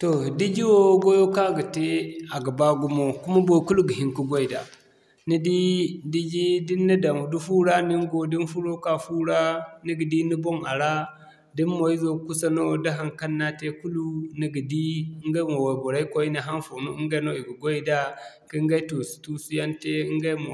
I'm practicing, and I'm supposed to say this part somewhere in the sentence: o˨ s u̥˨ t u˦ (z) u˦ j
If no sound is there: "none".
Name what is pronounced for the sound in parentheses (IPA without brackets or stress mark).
s